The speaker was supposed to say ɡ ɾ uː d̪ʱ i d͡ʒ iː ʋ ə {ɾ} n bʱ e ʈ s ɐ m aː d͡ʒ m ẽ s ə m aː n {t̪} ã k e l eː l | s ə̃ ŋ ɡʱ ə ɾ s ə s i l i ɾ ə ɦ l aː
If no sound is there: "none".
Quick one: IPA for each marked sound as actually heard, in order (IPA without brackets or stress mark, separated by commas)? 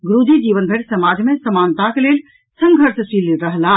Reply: none, t̪